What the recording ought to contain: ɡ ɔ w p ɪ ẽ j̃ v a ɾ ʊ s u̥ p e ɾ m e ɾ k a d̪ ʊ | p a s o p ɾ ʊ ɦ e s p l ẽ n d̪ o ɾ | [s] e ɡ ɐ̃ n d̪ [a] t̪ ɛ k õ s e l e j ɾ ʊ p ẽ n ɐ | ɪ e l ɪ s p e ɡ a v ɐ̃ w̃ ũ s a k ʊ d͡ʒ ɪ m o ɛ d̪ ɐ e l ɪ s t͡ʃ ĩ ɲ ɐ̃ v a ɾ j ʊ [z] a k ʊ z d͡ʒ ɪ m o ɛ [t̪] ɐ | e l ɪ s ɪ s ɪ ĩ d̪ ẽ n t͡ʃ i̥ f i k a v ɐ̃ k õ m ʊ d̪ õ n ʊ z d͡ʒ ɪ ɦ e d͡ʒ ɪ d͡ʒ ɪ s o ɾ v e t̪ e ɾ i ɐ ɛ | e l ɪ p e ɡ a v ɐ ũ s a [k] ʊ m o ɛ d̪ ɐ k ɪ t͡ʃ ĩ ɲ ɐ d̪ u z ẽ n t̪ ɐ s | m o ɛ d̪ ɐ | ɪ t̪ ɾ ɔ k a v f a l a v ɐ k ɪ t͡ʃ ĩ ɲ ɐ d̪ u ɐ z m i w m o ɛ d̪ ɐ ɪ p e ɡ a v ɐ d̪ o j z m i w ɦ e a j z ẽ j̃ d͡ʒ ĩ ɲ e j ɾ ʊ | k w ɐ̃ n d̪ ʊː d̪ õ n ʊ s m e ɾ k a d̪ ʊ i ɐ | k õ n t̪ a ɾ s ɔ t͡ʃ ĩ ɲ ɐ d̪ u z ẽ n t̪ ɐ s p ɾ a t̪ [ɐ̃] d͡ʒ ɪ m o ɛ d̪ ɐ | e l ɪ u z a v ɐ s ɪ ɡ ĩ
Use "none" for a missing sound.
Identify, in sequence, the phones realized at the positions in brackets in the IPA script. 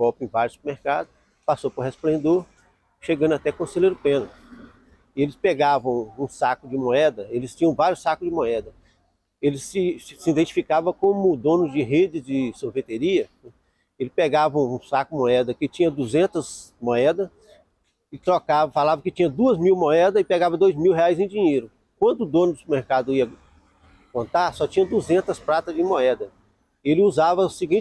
ʃ, a, s, d̪, k, ɐ

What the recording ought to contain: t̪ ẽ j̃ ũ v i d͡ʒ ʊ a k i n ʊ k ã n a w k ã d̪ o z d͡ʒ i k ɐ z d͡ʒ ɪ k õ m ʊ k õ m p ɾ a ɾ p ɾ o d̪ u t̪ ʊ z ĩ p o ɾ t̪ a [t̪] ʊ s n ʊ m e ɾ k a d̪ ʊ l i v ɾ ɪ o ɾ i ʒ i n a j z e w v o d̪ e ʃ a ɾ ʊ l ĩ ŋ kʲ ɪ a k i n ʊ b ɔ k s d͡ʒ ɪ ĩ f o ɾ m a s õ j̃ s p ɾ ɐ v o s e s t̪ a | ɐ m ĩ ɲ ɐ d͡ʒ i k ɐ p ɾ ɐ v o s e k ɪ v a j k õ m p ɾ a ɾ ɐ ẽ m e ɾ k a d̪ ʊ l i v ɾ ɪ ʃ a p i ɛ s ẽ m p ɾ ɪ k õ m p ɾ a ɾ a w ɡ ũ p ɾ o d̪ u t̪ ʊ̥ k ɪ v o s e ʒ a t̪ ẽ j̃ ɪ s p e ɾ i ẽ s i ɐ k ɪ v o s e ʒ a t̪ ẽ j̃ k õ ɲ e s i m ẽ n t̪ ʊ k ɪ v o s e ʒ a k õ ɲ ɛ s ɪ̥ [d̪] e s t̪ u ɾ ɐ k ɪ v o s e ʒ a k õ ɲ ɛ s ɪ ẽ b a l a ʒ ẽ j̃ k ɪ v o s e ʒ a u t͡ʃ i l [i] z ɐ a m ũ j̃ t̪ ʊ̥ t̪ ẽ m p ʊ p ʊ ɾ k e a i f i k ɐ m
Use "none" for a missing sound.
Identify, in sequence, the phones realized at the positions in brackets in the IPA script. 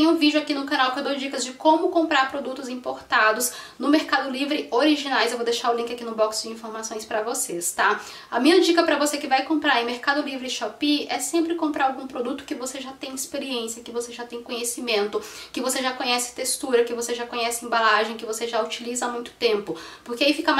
d̪, t̪, i

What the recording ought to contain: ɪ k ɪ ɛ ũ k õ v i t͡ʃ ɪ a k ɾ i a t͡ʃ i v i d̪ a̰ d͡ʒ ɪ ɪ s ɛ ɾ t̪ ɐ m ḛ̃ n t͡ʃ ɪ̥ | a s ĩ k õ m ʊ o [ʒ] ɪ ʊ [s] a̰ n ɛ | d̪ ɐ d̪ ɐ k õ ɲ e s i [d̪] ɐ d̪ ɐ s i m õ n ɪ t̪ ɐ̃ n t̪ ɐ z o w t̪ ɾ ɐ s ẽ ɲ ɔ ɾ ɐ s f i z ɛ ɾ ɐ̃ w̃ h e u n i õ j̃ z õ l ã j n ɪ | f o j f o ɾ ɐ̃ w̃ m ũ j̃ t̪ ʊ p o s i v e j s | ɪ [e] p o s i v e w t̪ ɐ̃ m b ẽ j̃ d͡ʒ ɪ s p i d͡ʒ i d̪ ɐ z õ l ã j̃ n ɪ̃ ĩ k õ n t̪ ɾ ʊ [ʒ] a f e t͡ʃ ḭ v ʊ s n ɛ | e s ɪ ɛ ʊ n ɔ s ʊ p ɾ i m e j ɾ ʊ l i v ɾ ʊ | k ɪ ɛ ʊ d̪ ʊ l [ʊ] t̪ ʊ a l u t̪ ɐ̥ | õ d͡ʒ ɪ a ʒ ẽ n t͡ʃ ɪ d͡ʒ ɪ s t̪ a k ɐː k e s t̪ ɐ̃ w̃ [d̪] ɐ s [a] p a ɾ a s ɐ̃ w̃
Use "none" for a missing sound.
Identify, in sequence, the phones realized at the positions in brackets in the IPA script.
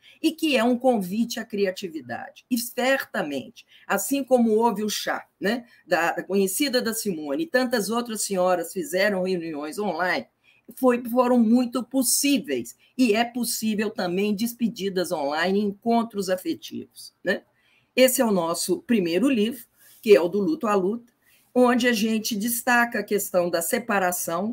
v, ʃ, d̪, ɛ, z, u, d̪, e

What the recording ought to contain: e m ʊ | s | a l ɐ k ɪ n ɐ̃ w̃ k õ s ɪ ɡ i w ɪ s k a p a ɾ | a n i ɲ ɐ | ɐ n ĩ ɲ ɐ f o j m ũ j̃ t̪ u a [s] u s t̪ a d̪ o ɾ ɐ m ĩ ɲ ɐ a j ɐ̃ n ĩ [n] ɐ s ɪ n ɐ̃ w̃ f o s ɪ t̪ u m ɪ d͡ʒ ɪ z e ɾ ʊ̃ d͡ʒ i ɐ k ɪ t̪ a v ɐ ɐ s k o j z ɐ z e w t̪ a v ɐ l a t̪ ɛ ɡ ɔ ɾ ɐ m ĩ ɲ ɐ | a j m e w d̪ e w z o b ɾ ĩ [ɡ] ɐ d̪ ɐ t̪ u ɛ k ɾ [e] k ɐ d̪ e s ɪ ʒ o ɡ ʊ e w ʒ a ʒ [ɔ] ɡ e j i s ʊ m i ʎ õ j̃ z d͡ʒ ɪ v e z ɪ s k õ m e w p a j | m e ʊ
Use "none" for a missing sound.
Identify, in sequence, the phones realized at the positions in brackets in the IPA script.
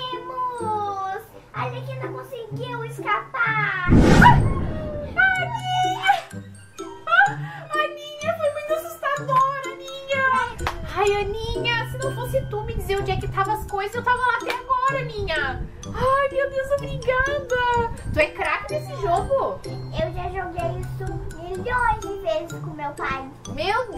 s, ɲ, ɡ, a, o

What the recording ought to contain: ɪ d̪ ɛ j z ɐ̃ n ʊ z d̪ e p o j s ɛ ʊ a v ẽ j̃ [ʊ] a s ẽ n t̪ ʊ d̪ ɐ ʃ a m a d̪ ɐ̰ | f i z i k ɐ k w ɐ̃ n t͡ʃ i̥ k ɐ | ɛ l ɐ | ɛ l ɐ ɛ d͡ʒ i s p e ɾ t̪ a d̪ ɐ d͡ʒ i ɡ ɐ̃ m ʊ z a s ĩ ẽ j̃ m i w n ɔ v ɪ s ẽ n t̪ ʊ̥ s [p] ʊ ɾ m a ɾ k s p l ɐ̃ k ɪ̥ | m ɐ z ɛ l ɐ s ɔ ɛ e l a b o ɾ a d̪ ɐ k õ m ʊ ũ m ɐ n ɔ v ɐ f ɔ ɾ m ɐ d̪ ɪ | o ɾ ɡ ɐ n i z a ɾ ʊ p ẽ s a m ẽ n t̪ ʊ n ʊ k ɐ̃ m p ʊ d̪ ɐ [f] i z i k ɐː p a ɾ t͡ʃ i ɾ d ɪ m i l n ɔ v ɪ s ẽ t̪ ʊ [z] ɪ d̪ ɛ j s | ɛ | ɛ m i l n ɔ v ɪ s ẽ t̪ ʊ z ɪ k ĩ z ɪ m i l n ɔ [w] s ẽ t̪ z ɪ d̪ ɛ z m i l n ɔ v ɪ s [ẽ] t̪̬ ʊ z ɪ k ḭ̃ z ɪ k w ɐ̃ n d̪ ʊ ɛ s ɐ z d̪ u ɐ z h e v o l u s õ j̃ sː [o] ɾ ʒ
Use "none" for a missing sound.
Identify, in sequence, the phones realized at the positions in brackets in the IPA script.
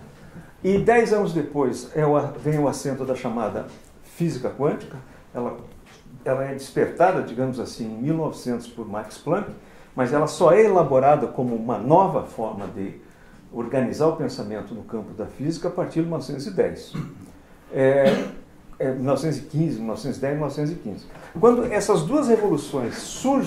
ʊ, p, f, z, v, ẽ, u

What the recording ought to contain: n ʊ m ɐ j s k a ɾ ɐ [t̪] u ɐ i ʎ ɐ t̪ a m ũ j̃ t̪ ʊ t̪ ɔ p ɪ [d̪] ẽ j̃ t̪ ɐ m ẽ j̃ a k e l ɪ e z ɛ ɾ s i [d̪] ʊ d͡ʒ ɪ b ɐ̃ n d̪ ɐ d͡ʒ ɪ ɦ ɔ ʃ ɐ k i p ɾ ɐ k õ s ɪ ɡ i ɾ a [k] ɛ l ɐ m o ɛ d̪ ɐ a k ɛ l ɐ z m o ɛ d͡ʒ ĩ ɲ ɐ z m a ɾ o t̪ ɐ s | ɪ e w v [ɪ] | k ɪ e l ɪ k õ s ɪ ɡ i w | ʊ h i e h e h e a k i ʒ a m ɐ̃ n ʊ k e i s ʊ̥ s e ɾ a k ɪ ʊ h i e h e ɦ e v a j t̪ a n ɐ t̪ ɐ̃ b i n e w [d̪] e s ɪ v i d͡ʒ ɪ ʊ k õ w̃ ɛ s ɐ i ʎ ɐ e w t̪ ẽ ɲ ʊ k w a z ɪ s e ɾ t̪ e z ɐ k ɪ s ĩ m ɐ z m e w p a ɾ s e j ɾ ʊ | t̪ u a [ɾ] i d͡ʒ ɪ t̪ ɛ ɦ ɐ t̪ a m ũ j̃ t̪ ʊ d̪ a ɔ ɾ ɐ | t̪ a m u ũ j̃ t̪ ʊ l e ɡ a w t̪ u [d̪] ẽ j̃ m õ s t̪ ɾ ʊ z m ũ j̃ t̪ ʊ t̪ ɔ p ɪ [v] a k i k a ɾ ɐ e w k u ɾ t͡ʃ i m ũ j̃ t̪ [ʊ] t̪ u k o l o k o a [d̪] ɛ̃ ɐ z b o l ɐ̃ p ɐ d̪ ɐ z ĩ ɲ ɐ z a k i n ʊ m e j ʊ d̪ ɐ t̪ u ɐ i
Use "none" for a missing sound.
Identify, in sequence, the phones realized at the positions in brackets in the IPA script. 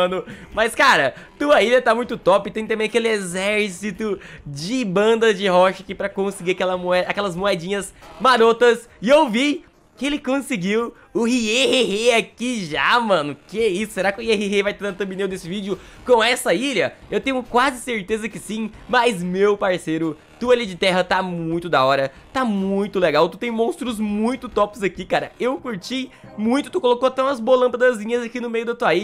t̪, t̪, t̪, k, i, d̪, l, t̪, z, ʊ, t̪

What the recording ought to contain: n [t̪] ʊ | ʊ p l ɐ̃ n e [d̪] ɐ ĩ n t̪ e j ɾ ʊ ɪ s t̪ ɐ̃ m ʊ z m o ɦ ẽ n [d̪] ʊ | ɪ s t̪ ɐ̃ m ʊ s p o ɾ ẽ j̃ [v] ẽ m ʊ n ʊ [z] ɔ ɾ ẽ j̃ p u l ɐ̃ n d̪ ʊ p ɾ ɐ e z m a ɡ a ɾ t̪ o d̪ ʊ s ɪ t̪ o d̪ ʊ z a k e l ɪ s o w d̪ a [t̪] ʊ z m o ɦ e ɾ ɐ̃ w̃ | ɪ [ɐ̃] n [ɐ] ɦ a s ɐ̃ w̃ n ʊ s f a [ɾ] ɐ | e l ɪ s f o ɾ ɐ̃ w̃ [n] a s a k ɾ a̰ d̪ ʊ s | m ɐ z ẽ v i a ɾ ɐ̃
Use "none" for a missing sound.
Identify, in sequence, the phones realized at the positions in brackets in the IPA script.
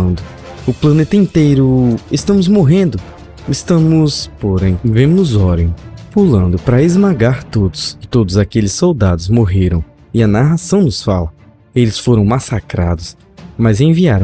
d̪, t̪, d̪, v, z, d̪, ɐ, a, l, m

